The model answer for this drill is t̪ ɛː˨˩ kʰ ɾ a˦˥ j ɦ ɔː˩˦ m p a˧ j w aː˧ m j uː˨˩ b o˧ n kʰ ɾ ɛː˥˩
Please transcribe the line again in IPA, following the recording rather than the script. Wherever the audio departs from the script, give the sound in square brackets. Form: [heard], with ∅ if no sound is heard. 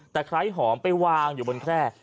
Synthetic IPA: t̪ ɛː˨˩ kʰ ɾ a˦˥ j ɦ ɔː˩˦ m p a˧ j w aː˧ [ŋ] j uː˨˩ b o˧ n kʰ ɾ ɛː˥˩